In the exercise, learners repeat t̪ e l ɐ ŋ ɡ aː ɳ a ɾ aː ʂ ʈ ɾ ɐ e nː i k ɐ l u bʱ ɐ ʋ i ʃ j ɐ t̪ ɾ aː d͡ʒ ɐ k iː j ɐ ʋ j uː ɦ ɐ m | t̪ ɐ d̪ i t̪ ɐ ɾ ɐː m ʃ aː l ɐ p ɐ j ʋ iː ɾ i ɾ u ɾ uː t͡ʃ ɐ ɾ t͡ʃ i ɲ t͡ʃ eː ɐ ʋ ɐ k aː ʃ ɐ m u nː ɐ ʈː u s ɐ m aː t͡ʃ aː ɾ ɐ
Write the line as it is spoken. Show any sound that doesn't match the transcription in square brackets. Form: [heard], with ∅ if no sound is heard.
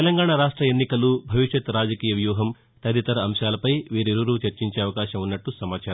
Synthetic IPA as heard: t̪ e l ɐ ŋ ɡ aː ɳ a ɾ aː ʂ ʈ ɾ ɐ e nː i k ɐ l u bʱ ɐ ʋ i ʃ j ɐ t̪ ɾ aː d͡ʒ ɐ k iː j ɐ ʋ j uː ɦ ɐ m | t̪ ɐ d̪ i t̪ ɐ ɾ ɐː m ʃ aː l ɐ p ɐ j ʋ iː ɾ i ɾ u ɾ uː t͡ʃ ɐ ɾ t͡ʃ i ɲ t͡ʃ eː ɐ ʋ ɐ k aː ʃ ɐ m u nː ɐ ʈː u s ɐ m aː t͡ʃ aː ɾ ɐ